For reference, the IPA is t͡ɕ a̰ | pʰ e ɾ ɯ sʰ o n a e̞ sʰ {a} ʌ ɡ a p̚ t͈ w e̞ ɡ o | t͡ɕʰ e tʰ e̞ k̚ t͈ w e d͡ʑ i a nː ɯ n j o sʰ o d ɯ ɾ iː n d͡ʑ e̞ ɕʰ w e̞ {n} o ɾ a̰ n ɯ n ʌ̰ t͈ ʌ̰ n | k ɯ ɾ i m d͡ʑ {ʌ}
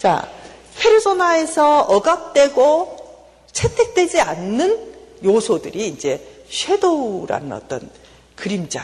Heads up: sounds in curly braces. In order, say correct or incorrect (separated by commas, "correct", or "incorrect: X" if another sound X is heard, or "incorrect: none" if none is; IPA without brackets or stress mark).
incorrect: ʌ, incorrect: d, incorrect: a